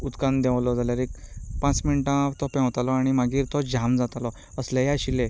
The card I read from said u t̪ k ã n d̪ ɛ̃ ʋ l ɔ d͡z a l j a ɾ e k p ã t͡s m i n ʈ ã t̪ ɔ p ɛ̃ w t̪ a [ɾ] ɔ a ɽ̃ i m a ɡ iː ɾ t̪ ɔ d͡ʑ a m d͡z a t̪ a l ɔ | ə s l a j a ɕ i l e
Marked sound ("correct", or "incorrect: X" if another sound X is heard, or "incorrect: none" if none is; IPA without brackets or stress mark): incorrect: l